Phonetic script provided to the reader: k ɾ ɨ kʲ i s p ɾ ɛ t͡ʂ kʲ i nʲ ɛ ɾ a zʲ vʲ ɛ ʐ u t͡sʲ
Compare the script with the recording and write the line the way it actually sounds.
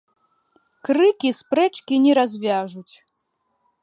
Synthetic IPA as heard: k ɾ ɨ kʲ i s p ɾ ɛ t͡ʂ kʲ i nʲ ɛ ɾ a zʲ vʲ a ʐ u t͡sʲ

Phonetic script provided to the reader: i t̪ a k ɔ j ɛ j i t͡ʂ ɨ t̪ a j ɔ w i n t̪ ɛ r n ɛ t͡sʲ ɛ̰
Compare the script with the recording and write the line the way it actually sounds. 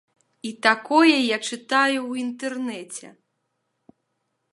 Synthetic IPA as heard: i t̪ a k ɔ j ɛ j a t͡ʂ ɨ t̪ a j u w i n t̪ ɛ r n ɛ t͡sʲ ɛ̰

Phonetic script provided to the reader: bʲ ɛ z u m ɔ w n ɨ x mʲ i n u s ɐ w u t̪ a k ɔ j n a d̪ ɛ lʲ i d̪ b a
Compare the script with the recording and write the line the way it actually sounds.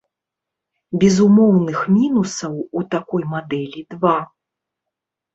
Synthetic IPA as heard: bʲ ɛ z u m ɔ w n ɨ x mʲ i n u s ɐ w u t̪ a k ɔ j m a d̪ ɛ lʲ i d̪ v a

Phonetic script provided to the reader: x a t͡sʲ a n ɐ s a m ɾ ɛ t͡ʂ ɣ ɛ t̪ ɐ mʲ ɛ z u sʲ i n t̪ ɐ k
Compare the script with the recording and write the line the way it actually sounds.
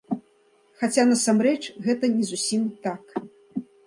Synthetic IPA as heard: x a t͡sʲ a n ɐ s a m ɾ ɛ t͡ʂ ɣ ɛ t̪ ɐ nʲ ɛ z u sʲ i m t̪ a k

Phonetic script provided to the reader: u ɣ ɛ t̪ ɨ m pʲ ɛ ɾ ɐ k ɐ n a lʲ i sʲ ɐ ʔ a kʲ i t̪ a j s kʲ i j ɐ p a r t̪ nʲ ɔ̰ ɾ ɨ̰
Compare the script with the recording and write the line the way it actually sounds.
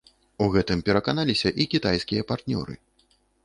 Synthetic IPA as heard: u ɣ ɛ t̪ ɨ m pʲ ɛ ɾ ɐ k a n a lʲ i sʲ ɐ ʔ i kʲ i t̪ a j s kʲ i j ɐ p a r t̪ nʲ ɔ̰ ɾ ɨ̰

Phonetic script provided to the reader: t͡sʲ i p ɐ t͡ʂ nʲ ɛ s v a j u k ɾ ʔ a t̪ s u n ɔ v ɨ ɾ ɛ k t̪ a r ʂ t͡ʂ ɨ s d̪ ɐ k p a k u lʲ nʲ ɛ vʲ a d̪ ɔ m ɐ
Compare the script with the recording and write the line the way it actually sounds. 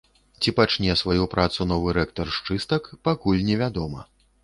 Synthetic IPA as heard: t͡sʲ i p a t͡ʂ nʲ ɛ s v a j u p ɾ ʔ a t̪ s u n ɔ v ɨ ɾ ɛ k t̪ ɐ r ʂ t͡ʂ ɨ s t̪ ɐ k p a k u lʲ nʲ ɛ vʲ a d̪ ɔ m ɐ

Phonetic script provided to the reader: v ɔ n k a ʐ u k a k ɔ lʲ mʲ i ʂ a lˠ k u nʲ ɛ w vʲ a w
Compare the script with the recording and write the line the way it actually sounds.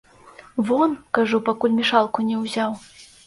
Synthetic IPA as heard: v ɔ n k a ʐ u p a k u lʲ mʲ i ʂ a lˠ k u nʲ ɛ w zʲ a w

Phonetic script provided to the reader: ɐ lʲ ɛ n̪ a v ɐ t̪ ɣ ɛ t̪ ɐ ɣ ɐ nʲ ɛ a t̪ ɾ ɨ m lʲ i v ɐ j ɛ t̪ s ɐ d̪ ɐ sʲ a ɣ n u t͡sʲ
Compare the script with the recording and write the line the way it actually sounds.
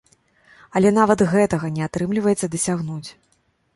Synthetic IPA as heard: ɐ lʲ ɛ n̪ a v ɐ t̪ ɣ ɛ t̪ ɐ ɣ ɐ nʲ ɛ a t̪ ɾ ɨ m lʲ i v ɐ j ɛ t̪ s ɐ d̪ ɐ sʲ a ɣ n u t͡sʲ

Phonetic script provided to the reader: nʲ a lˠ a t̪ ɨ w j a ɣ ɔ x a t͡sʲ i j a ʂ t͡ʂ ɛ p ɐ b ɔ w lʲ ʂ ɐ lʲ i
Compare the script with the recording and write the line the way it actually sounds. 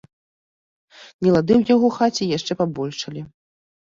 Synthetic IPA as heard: nʲ ɛ lˠ a d̪ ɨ w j a ɣ ɔ x a t͡sʲ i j a ʂ t͡ʂ ɛ p a b ɔ lʲ ʂ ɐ lʲ i

